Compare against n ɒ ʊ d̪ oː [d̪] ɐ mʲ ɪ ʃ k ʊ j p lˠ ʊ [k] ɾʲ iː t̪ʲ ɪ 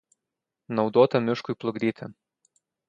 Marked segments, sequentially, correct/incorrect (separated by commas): incorrect, incorrect